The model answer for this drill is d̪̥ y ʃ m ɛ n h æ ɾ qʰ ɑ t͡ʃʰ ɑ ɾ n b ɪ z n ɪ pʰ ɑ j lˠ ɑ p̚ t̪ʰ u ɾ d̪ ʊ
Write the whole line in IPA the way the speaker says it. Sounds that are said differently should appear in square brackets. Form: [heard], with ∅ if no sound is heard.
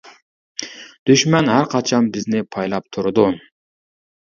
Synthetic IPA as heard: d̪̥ y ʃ m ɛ n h æ ɾ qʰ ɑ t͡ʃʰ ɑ [∅] n b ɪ z n ɪ pʰ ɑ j lˠ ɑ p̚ t̪ʰ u ɾ d̪ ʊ